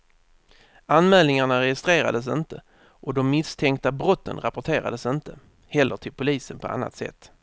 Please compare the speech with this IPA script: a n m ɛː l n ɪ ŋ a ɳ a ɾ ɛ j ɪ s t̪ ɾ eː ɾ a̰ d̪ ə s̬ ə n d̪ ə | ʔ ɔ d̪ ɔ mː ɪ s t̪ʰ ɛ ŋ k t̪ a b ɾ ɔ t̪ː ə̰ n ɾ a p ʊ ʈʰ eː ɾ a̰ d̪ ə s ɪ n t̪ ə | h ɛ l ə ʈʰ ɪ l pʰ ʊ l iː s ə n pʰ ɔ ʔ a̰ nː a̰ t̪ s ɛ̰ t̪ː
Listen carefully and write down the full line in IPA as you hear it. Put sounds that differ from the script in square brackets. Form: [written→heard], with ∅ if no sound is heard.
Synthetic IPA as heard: a n m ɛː l n ɪ ŋ a ɳ a ɾ ɛ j ɪ s t̪ ɾ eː ɾ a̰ d̪ ə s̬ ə n [d̪→t̪] ə | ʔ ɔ d̪ ɔ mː ɪ s t̪ʰ ɛ ŋ k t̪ a b ɾ ɔ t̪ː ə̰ n ɾ a p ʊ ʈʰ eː ɾ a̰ d̪ ə s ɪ n t̪ ə | h ɛ [l→lː] ə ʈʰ ɪ l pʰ ʊ l iː s ə n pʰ ɔ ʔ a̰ nː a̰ t̪ s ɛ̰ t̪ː